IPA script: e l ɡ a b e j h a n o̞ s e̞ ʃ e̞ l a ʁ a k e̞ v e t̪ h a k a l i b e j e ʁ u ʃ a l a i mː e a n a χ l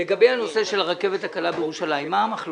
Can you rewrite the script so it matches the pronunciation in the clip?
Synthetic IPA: e ɡ a b e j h a n o̞ s e̞ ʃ e̞ l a ʁ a k e̞ v e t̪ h a k a l a b e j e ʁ u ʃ a l a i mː a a m a χ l

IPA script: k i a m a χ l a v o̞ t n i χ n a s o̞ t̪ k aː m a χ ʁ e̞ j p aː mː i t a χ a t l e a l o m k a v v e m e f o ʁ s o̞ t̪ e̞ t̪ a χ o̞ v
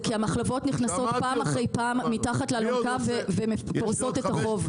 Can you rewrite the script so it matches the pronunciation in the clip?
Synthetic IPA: k i a m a χ l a v o̞ t n i χ n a s o̞ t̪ p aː m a χ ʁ e̞ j p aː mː i t a χ a t l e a l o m k a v v e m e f o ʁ s o̞ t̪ e̞ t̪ a χ o̞ v

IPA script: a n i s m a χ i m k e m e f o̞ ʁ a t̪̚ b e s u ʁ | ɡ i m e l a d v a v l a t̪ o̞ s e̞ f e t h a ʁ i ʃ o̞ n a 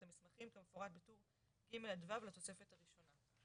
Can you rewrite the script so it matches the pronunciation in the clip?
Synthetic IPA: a m i s m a χ i m k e m e f o̞ ʁ a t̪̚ b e t u ʁ | ɡ i m e l a d v a v l a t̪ o̞ s e̞ f e t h a ʁ i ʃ o̞ n a

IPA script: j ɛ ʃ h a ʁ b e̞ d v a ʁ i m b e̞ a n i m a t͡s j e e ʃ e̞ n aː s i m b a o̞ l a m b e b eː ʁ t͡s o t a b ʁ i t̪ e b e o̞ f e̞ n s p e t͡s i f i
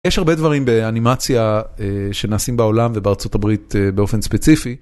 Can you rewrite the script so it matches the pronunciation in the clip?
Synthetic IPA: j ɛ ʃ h a ʁ b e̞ d v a ʁ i m b e̞ a n i m a t͡s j a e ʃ e̞ n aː s i m b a o̞ l a m v e b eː ʁ t͡s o t a b ʁ i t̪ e b e o̞ f e̞ n s p e t͡s i f i

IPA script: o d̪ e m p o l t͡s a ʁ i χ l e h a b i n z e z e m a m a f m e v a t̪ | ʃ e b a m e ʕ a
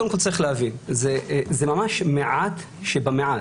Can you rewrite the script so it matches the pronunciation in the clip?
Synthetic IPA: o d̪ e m k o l t͡s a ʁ i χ l e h a v i n z e z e m a m a ʃ m e ʕ a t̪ | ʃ e b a m e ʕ a

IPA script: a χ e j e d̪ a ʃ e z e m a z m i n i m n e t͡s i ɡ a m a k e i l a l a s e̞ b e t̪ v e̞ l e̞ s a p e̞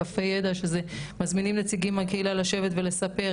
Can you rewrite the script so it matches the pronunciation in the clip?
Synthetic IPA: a f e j e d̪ a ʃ e z e m a z m i n i m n e t͡s i ɡ i m a k e i l a l a ʃ e̞ v e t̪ v e̞ l e̞ s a p e̞

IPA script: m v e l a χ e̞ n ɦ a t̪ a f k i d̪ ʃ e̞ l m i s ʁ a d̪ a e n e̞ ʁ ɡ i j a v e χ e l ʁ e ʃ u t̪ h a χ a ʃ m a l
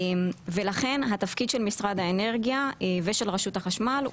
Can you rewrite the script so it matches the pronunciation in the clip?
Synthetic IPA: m v e l a χ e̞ n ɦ a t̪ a f k i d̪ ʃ e̞ l m i s ʁ a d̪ a e n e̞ ʁ ɡ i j a v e ʃ e l ʁ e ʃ u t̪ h a χ a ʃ m a l

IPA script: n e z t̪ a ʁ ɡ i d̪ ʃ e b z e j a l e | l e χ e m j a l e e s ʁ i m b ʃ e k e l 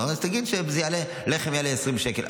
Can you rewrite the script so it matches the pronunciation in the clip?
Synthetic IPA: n a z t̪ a ɡ i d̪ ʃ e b z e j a l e | l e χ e m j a l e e s ʁ i m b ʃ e k e l

